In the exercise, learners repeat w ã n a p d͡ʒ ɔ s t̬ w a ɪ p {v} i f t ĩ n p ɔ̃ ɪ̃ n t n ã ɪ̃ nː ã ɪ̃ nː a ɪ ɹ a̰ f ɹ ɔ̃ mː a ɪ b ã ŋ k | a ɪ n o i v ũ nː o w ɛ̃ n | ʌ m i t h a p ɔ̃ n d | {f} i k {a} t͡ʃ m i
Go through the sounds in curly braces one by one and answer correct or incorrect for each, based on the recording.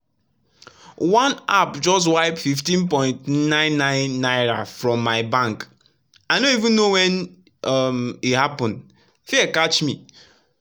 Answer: incorrect, correct, correct

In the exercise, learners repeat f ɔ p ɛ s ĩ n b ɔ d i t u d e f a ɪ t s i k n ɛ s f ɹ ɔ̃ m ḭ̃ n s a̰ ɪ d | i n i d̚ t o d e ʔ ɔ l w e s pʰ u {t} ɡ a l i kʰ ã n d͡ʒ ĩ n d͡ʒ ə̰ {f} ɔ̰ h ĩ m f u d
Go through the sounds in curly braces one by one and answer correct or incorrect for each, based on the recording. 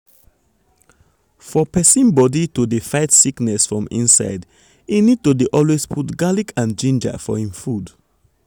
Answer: correct, correct

